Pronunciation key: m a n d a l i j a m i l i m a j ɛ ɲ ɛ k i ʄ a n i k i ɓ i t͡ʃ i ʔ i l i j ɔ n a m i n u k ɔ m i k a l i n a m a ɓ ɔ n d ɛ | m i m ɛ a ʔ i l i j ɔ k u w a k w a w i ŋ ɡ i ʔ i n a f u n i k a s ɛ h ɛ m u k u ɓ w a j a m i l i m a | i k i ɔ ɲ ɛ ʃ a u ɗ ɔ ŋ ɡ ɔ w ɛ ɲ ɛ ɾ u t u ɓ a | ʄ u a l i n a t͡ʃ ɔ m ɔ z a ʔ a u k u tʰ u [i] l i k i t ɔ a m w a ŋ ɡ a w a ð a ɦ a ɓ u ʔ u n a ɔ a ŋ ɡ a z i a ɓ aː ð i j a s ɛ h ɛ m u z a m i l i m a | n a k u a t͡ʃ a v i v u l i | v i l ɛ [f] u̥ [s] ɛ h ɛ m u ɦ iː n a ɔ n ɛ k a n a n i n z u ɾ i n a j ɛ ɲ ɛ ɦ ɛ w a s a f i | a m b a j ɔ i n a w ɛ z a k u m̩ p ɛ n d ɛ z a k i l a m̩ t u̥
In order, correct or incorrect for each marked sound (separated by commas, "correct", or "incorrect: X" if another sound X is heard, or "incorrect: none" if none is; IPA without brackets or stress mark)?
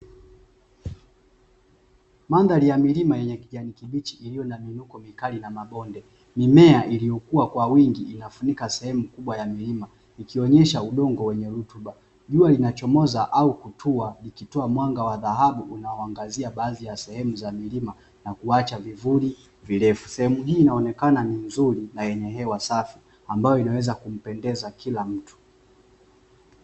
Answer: incorrect: a, correct, correct